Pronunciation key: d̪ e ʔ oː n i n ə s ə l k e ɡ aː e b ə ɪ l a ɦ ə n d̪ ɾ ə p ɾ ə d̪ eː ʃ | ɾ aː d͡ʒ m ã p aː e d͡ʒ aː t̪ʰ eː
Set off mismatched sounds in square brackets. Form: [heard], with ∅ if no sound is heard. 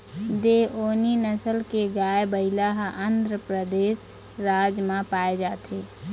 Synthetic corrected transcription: d̪ e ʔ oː n i n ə s ə l k e ɡ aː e b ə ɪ l a ɦ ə n d̪ ɾ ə p ɾ ə d̪ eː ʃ | ɾ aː d͡ʒ m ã p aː e d͡ʒ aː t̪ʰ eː